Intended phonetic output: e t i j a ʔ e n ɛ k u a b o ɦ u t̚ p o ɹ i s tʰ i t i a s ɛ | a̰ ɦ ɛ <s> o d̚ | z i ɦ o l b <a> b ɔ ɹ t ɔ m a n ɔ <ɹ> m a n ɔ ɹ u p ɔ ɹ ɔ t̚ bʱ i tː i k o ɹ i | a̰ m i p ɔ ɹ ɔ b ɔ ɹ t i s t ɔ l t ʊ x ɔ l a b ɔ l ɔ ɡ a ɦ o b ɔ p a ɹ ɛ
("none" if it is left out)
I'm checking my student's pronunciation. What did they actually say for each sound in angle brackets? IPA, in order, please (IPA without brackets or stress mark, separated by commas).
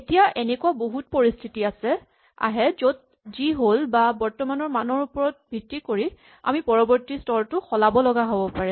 z, a, ɹ